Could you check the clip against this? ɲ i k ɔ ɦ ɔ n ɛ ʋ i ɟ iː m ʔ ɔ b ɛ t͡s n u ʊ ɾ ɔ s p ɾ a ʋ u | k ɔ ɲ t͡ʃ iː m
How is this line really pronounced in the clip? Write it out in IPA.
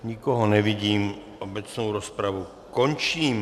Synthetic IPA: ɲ i k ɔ ɦ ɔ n ɛ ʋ i ɟ iː m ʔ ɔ b ɛ t͡s n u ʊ ɾ ɔ s p ɾ a ʋ u | k ɔ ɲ t͡ʃ iː m